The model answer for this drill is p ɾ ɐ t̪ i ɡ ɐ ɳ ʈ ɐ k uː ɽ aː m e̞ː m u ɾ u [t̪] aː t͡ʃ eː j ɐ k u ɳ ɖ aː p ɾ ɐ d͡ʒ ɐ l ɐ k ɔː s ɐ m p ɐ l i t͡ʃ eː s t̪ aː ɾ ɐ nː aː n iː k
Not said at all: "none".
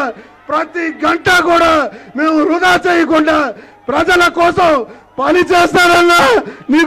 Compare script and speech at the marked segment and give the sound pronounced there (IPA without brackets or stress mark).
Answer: d̪